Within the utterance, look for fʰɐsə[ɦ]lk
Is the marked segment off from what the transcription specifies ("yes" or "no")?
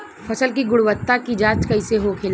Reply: yes